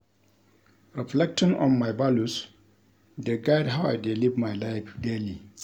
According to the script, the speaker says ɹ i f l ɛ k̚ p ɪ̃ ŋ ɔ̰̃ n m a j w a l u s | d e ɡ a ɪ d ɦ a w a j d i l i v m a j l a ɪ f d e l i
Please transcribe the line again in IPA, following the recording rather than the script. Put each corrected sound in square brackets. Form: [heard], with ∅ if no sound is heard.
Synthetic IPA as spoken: ɹ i f l ɛ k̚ [t] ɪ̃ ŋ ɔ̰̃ n m a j [b] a l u s | d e ɡ a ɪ d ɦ a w a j d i l i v m a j l a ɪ f d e l i